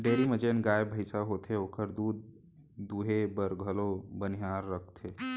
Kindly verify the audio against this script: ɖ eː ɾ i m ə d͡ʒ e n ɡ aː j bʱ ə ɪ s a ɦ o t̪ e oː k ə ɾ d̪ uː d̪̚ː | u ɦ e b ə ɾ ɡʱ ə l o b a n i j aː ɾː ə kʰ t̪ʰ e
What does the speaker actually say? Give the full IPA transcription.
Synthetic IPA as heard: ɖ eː ɾ i m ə d͡ʒ e n ɡ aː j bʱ ə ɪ s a ɦ o t̪ e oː k ə ɾ d̪ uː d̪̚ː | u ɦ e b ə ɾ ɡʱ ə l o b ə n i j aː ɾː ə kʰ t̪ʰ e